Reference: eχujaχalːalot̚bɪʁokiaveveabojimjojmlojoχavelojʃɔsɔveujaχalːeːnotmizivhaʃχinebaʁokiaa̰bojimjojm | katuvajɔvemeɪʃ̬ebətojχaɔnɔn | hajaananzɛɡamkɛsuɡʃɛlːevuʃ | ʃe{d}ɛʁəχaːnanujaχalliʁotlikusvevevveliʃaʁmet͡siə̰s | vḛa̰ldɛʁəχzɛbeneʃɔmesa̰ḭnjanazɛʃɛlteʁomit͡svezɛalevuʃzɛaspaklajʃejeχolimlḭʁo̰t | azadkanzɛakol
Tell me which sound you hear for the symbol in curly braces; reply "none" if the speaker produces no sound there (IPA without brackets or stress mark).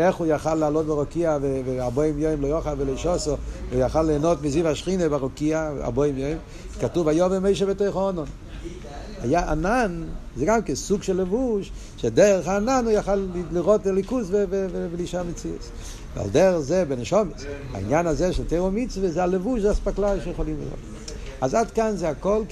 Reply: d